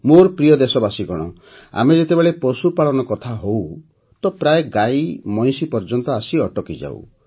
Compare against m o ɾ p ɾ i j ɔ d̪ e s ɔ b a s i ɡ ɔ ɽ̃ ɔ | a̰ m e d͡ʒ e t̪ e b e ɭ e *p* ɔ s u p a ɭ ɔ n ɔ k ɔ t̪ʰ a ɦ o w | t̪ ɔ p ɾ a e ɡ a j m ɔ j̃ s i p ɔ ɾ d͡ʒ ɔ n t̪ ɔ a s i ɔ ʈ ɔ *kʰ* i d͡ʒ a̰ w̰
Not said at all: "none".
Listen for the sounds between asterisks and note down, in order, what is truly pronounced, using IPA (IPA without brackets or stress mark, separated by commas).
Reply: p, k